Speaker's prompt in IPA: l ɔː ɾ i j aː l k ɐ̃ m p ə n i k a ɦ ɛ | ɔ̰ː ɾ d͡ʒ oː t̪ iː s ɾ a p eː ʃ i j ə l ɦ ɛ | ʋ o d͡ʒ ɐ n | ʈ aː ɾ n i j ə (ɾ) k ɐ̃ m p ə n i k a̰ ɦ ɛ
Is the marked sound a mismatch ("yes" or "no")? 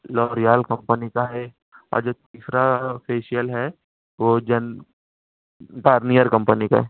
no